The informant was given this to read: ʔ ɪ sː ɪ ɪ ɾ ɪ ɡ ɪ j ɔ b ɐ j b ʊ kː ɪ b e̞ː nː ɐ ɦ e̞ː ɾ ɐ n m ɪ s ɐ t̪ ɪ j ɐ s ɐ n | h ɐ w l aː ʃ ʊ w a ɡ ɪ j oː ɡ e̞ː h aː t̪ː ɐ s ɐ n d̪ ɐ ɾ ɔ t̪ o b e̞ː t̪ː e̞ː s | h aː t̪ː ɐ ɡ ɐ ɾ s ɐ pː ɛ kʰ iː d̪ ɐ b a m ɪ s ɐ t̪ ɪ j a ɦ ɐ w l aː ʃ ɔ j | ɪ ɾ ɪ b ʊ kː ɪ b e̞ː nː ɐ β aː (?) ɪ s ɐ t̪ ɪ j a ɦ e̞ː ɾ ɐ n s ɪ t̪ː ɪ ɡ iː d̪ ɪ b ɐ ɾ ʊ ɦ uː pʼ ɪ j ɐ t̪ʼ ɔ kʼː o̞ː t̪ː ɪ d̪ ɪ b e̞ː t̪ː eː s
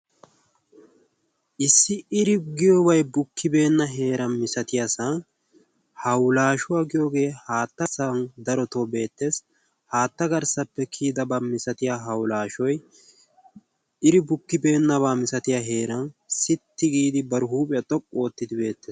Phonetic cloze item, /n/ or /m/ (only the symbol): m